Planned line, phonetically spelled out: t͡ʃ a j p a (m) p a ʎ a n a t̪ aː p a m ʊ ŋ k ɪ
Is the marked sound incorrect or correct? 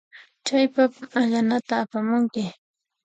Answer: incorrect